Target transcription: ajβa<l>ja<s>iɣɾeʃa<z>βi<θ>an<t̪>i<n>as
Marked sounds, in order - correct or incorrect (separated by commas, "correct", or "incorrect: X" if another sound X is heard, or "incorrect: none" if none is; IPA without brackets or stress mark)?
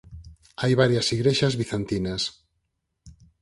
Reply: incorrect: ɾ, correct, correct, correct, correct, correct